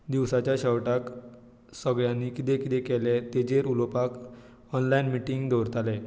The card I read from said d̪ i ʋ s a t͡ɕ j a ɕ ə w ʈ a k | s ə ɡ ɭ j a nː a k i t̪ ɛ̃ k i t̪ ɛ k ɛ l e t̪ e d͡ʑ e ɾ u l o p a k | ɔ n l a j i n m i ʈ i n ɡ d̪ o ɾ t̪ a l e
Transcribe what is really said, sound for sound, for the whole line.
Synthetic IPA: d̪ i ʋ s a t͡ɕ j a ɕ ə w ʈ a k | s ə ɡ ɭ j a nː i k i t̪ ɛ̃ k i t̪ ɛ k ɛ l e t̪ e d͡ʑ e ɾ u l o p a k | ɔ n l a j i n m i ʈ i ŋ ɡ d̪ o ɾ t̪ a l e